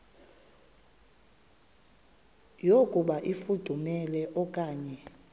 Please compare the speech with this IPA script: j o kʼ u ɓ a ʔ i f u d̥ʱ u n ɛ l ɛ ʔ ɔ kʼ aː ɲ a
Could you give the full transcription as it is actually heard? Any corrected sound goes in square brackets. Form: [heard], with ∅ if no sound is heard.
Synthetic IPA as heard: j o kʼ u ɓ a ʔ i f u d̥ʱ u [m] ɛ l ɛ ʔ ɔ kʼ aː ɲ [ɛ]